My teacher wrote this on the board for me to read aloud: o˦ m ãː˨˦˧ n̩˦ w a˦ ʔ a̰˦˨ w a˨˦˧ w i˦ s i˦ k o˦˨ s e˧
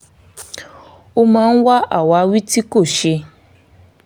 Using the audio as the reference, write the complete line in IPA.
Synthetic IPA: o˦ m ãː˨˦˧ n̩˦ w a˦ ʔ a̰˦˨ w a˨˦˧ w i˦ t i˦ k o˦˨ ʃ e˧